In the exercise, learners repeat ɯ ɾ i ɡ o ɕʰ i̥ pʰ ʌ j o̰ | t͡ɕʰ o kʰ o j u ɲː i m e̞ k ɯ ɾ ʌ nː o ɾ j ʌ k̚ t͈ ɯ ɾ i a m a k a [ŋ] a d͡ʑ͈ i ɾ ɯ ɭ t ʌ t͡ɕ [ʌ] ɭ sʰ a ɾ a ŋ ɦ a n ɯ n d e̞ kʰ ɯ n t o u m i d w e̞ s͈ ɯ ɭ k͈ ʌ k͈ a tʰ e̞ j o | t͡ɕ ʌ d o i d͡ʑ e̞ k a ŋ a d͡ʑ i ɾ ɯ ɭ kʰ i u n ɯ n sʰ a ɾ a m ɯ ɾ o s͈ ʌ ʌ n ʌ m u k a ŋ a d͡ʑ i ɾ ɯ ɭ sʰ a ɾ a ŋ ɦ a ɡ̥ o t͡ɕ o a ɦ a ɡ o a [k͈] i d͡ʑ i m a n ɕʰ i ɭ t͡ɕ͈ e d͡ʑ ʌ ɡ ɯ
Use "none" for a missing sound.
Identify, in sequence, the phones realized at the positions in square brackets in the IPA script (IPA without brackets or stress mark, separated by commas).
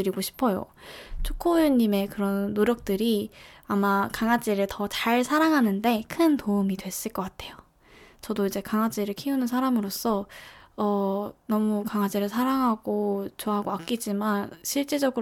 ŋ, a, k͈